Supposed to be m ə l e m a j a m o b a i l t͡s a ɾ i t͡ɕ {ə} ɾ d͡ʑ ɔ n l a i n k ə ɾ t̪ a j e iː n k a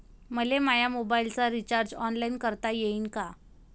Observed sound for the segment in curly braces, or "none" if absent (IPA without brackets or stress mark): a